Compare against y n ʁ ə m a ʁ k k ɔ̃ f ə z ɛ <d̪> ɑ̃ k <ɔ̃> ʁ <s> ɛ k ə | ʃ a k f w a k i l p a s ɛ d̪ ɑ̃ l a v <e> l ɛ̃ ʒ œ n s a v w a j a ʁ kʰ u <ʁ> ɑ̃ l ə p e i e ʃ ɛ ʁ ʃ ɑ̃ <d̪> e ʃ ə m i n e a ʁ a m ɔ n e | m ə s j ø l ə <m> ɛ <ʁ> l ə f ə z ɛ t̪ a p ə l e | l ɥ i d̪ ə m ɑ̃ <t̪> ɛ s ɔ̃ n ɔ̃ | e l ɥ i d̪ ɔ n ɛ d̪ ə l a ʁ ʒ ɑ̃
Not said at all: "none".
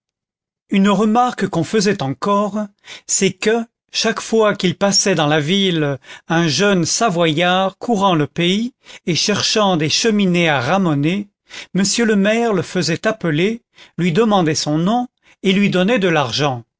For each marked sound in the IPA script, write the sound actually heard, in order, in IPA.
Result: t̪, ɔ, s, i, ʁ, d̪, m, ʁ, d̪

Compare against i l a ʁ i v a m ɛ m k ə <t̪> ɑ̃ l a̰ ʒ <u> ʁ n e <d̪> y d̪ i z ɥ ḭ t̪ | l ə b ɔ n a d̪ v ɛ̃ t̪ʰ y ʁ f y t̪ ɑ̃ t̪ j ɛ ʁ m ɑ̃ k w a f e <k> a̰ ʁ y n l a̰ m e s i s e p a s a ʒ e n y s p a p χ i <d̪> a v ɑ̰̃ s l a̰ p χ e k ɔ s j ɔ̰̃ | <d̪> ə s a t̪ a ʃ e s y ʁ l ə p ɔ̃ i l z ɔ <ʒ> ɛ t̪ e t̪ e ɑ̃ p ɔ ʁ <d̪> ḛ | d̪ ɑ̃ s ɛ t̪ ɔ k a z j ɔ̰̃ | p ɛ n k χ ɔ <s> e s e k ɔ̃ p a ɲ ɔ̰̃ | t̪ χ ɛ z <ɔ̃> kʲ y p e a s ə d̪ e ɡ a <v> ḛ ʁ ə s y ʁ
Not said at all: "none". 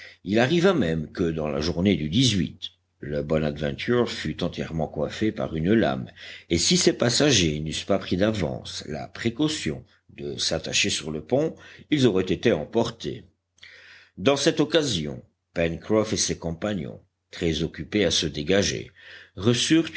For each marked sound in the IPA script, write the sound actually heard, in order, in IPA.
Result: d̪, u, d̪, p, d̪, d̪, ʁ, t̪, f, ɔ, ʒ

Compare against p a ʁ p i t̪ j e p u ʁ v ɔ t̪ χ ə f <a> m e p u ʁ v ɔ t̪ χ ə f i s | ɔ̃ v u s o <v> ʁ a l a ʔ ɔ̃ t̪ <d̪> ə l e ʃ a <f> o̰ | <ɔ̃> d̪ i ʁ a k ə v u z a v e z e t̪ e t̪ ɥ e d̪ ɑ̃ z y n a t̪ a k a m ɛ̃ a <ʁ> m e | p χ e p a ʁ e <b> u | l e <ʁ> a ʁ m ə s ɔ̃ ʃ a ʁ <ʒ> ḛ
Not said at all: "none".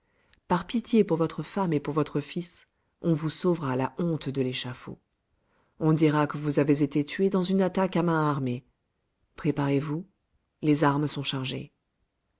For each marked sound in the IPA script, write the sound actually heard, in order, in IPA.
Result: a, v, d̪, f, ɔ̃, ʁ, v, z, ʒ

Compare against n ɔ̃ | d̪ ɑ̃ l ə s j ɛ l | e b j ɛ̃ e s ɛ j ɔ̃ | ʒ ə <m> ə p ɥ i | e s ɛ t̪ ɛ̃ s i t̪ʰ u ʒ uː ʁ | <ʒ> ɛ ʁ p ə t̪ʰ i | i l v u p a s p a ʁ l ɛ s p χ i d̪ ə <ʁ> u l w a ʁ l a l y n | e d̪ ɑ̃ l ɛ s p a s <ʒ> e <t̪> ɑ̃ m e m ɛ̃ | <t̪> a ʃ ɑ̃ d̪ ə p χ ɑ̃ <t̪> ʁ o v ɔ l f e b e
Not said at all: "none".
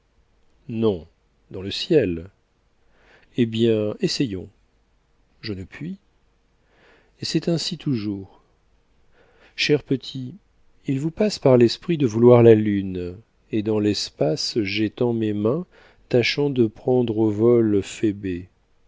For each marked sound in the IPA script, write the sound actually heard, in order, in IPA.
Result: n, ʃ, v, ʒ, t̪, t̪, d̪

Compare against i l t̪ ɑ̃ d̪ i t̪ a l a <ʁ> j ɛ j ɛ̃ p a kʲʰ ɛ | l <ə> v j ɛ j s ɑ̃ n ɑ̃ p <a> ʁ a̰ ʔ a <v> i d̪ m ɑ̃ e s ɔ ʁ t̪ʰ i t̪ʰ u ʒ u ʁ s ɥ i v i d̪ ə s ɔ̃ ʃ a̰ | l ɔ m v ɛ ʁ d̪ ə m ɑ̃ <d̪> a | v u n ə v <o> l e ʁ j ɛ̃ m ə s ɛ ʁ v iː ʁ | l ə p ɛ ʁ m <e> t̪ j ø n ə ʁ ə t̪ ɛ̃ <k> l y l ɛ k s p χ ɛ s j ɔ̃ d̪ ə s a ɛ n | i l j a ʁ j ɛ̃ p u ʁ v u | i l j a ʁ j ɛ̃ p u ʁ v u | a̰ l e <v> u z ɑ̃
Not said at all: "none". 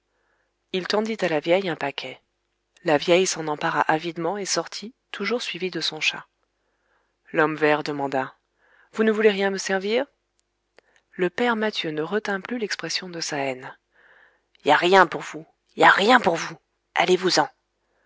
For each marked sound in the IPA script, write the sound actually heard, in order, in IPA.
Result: v, a, a, v, d̪, u, a, p, v

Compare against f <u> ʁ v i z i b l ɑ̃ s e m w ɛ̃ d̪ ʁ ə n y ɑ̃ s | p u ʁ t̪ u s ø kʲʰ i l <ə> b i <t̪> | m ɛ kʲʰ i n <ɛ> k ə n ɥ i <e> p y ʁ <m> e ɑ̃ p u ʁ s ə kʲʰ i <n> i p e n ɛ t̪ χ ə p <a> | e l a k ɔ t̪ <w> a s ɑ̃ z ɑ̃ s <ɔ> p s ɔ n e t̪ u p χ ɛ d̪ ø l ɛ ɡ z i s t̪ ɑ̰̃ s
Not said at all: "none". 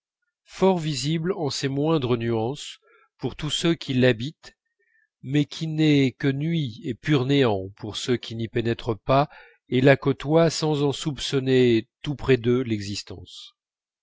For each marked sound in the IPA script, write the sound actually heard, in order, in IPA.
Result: ɔ, a, t̪, ɛ, e, n, n, a, w, u

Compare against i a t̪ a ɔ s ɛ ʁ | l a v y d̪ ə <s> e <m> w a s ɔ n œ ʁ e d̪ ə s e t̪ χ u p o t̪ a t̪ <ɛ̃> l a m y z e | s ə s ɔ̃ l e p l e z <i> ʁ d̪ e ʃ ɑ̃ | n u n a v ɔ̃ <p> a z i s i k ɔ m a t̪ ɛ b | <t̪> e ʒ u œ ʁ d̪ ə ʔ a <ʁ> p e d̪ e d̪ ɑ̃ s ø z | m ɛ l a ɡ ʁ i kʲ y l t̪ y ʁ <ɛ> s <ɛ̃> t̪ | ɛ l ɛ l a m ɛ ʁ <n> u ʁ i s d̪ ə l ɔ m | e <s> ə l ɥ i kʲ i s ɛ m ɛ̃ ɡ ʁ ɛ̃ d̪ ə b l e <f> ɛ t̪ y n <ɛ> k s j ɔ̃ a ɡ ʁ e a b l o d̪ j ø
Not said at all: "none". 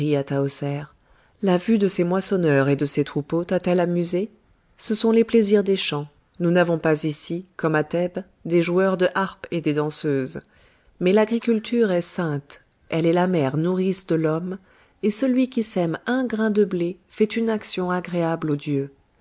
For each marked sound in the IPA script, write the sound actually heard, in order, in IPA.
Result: s, m, ɛ, i, p, d̪, ʁ, ɛ, ɛ̃, n, s, f, a

